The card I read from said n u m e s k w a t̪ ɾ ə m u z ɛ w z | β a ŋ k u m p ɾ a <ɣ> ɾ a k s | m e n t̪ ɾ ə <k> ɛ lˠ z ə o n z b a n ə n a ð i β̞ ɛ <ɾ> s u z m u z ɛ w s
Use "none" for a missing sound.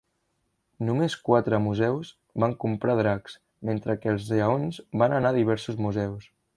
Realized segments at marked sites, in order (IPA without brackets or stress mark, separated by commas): ð, k, ɾ